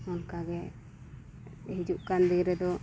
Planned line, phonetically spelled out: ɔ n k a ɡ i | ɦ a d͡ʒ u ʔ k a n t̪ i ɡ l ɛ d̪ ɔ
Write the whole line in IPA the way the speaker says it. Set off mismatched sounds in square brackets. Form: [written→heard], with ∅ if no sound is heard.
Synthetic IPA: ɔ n k a ɡ [i→ɛ] | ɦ [a→i] d͡ʒ u ʔ k a n [t̪→d̪] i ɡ [l→ɾ] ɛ d̪ ɔ